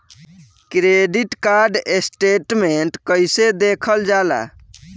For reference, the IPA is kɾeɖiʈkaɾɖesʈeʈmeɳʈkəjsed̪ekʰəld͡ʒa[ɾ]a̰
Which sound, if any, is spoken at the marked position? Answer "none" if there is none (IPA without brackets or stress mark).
l